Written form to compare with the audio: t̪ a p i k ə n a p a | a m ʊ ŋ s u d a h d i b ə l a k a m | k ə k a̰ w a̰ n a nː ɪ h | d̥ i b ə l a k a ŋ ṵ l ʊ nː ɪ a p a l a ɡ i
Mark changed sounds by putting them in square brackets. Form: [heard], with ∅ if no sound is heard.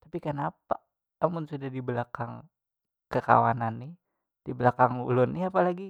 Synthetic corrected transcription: t̪ a p i k ə n a p a | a m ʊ [n] s u d a h d i b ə l a k a [ŋ] | k ə k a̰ w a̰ n a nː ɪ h | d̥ i b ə l a k a ŋ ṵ l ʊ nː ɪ a p a l a ɡ i